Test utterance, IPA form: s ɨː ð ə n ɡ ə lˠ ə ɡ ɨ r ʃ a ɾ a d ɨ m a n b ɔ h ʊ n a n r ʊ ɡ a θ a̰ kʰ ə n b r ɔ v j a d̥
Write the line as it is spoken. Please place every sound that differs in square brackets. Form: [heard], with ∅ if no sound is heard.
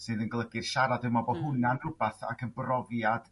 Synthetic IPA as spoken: s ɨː ð ə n ɡ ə lˠ ə ɡ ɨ r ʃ a ɾ a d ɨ m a [∅] b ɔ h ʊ n a n r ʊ [b] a θ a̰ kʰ ə n b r ɔ v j a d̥